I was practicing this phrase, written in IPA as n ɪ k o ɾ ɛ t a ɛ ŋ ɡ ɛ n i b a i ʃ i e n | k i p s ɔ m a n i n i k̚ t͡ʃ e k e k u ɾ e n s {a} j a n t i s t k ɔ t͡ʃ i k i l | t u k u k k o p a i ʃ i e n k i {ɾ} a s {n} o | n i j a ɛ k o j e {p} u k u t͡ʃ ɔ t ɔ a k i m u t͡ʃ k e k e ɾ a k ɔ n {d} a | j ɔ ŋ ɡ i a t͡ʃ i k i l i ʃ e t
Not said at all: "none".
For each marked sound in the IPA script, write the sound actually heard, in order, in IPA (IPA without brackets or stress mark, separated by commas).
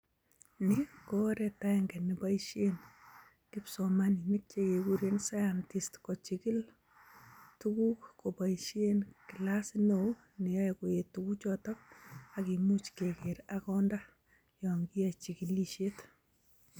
a, l, n, t, d